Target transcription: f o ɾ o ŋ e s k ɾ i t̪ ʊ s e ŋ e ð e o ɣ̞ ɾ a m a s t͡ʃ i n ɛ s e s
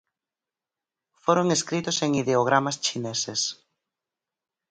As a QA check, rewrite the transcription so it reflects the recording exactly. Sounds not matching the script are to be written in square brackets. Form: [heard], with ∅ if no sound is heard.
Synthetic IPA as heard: f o ɾ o ŋ e s k ɾ i t̪ ʊ s e ŋ [i] ð e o ɣ̞ ɾ a m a s t͡ʃ i n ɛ s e s